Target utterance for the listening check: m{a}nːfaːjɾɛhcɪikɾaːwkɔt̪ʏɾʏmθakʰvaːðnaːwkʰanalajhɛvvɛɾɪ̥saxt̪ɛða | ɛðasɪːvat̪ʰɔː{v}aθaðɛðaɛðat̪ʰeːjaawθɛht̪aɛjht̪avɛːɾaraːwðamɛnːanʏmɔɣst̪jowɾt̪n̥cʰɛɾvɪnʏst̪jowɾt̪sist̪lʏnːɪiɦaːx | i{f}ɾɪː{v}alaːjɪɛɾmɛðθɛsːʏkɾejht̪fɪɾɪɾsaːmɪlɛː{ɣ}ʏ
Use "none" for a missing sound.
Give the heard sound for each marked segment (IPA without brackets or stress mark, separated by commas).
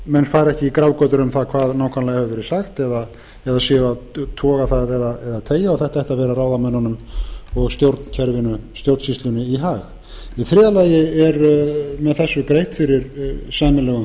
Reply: ɛ, ɣ, θ, ð, ɣ